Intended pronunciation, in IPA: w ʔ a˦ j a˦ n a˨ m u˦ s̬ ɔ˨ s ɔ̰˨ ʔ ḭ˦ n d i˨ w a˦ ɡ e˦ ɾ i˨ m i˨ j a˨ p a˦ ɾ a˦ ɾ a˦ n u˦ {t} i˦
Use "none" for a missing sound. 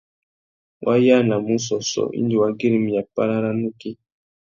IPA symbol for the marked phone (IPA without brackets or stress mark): k